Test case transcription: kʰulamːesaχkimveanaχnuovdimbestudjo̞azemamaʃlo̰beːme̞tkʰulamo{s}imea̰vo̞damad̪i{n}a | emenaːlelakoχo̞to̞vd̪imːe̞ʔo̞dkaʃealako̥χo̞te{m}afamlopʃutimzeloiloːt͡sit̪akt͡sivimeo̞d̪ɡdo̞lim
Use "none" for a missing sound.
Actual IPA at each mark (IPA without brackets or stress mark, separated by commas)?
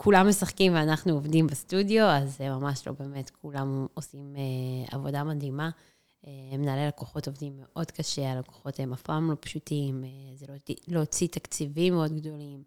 s, m, m